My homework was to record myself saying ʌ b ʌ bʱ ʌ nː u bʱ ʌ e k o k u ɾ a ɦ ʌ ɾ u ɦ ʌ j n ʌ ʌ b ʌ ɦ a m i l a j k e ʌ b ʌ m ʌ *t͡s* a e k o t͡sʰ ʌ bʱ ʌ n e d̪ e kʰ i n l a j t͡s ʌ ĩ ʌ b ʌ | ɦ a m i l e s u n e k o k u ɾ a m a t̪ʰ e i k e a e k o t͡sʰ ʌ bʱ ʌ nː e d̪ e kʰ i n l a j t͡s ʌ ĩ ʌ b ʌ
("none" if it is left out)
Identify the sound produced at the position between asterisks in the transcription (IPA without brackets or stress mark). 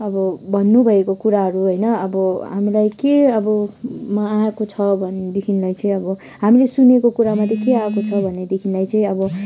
none